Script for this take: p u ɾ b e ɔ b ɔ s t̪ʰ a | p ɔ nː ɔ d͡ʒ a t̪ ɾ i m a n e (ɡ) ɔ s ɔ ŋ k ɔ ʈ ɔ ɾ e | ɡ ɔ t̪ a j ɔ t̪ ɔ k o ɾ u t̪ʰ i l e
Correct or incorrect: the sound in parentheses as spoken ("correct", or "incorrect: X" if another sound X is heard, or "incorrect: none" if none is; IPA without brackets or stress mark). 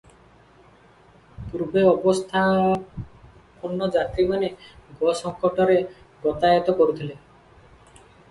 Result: correct